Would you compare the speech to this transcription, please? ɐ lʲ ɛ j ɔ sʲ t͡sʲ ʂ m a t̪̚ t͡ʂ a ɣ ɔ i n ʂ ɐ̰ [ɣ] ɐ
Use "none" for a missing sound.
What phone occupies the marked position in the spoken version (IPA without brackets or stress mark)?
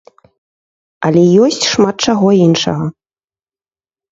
ɣ